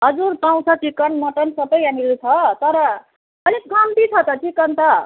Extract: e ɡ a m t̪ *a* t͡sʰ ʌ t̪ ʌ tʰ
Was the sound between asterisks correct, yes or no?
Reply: no